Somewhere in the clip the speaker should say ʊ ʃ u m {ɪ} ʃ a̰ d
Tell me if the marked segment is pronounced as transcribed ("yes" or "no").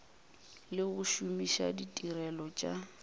no